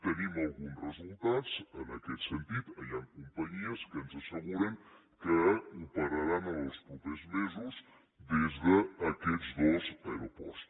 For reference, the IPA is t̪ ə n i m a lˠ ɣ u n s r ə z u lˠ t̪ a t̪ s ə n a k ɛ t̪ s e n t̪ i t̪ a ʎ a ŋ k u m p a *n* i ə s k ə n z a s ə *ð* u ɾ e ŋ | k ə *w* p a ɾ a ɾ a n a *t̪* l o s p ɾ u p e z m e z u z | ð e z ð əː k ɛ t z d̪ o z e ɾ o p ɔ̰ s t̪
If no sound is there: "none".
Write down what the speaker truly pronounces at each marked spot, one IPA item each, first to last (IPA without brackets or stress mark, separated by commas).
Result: ɲ, ɣ, u, none